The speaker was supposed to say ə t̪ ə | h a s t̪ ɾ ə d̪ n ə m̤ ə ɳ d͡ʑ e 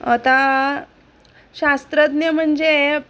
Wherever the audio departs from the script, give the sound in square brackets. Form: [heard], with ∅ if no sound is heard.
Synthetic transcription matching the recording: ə t̪ [a] | [ɕ] a s t̪ ɾ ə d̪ n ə m̤ ə ɳ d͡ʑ e